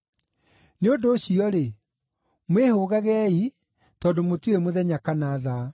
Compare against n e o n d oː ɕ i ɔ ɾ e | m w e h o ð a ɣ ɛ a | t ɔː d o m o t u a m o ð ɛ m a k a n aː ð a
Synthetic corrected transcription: n e o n d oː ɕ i ɔ ɾ e | m w e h o ɣ a ɣ ɛ i | t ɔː d o m o t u e m o ð ɛ ɲ a k a n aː ð a